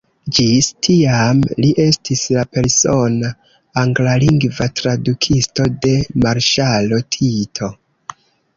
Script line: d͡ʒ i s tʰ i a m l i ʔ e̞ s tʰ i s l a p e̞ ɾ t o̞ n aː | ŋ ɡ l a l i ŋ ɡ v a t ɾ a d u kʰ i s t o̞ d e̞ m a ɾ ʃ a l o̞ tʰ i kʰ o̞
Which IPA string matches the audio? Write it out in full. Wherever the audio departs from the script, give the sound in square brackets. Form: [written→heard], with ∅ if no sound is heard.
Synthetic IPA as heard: d͡ʒ i s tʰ i a m l i ʔ e̞ s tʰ i s l a p e̞ ɾ [t→s] o̞ n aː | ŋ ɡ l a l i ŋ ɡ v a t ɾ a d u kʰ i s t o̞ d e̞ m a ɾ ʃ a l o̞ tʰ i [kʰ→tʰ] o̞